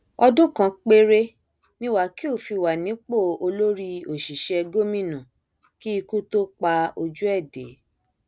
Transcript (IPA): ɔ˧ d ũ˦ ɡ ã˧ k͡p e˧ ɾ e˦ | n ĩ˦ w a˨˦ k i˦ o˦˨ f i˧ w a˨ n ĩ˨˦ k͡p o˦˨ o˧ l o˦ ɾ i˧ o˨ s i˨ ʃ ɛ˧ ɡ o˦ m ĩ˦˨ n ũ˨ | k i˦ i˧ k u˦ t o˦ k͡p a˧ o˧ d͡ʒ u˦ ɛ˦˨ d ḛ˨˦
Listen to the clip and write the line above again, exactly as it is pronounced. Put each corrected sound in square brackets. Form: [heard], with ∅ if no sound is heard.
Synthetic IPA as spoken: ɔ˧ d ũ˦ [k] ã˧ k͡p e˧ ɾ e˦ | n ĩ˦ w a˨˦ k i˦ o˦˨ f i˧ w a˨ n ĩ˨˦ k͡p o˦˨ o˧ l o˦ ɾ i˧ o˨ [ʃ] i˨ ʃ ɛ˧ ɡ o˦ m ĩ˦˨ n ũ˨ | k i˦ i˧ k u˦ t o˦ k͡p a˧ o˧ d͡ʒ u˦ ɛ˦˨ d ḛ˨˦

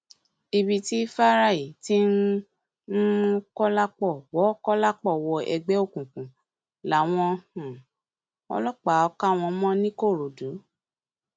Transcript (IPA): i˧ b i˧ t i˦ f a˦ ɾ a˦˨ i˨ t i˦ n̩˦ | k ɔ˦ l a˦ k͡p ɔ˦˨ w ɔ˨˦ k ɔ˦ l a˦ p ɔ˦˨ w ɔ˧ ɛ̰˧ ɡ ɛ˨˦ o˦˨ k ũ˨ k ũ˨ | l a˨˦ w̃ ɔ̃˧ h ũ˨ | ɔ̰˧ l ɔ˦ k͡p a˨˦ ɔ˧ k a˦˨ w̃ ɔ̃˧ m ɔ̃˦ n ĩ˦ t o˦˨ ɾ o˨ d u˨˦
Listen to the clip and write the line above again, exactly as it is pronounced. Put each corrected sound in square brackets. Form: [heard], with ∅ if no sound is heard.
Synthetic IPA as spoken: i˧ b i˧ t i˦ f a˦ ɾ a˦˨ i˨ t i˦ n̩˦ | k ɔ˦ l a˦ k͡p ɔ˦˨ w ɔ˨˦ k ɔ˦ l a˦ [k͡p] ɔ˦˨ w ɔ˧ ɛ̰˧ [ɡ͡b] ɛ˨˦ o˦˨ k ũ˨ k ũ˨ | l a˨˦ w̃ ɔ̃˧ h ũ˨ | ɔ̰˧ l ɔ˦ k͡p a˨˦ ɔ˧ k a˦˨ w̃ ɔ̃˧ m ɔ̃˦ n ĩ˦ [k] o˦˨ ɾ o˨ d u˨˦

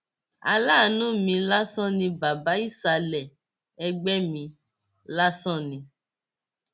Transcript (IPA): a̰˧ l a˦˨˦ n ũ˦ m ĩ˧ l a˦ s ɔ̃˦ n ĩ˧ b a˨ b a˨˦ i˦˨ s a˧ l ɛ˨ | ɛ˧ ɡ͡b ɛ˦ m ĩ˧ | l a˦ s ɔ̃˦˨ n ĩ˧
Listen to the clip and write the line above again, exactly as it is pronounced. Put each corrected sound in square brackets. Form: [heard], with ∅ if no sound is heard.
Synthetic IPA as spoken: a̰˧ l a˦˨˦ n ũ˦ m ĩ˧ l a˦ s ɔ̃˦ n ĩ˧ b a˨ b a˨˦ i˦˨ s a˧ l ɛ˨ | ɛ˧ ɡ͡b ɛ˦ m ĩ˧ | l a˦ s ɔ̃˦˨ n ĩ˧

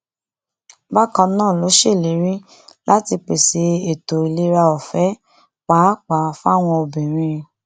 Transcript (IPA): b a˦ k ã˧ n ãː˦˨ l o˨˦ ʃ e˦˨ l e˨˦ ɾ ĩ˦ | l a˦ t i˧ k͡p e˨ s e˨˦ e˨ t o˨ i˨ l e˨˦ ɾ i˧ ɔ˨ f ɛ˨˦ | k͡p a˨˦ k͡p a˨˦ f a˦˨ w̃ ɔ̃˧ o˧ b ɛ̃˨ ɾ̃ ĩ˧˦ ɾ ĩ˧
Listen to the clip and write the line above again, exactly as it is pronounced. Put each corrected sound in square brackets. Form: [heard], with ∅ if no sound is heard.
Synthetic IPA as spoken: b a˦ k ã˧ n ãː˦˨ l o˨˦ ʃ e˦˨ l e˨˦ ɾ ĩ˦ | l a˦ t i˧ k͡p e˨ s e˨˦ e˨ t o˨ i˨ l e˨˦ ɾ [a˧] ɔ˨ f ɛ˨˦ | k͡p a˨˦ k͡p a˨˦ f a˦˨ w̃ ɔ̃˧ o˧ b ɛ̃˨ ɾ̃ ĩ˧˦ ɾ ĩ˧

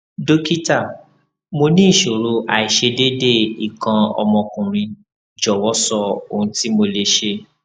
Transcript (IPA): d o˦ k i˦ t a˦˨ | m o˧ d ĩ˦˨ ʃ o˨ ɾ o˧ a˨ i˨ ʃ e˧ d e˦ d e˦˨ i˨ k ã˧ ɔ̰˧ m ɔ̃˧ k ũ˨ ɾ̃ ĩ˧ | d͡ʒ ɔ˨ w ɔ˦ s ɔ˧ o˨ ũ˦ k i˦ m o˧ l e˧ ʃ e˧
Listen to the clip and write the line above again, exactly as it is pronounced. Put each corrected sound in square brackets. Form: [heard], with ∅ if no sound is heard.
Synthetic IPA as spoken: d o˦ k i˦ t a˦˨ | m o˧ [n] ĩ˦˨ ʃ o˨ ɾ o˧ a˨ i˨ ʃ e˧ d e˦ d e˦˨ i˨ k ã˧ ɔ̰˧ m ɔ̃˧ k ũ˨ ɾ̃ ĩ˧ | d͡ʒ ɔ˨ w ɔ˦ s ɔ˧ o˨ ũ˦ [t] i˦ m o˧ l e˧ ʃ e˧

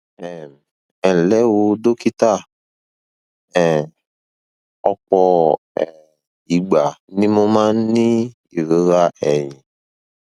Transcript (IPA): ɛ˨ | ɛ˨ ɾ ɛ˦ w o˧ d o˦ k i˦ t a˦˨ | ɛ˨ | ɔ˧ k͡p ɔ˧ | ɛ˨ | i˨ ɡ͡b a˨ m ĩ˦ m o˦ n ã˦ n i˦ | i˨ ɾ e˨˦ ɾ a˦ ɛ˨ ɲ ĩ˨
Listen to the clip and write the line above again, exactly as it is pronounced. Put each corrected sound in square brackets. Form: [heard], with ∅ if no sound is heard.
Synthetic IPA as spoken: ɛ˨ | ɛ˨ [l] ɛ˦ w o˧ d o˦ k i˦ t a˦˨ | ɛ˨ | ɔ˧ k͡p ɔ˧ | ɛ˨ | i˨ ɡ͡b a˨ [n] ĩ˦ m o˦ [m] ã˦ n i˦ | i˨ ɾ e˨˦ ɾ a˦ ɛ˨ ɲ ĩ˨

